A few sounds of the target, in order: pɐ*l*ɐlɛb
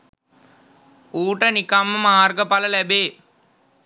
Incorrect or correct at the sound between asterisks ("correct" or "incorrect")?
correct